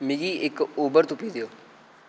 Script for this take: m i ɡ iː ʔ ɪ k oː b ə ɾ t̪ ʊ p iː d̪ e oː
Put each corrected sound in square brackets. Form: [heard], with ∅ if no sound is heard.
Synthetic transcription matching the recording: m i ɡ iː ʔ ɪ k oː b ə ɾ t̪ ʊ p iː d̪ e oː